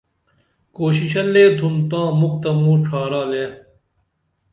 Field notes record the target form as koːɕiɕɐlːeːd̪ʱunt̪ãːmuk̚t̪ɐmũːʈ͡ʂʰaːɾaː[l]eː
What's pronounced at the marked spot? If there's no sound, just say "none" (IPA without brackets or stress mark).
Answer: l